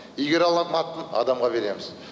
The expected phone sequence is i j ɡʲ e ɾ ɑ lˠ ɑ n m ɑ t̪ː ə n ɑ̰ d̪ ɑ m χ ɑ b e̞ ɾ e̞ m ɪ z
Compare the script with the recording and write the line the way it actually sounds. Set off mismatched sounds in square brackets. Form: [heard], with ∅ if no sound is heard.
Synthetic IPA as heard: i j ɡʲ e ɾ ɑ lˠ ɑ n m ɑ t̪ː ə n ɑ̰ d̪ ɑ m [ʁ] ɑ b e̞ ɾ e̞ m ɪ z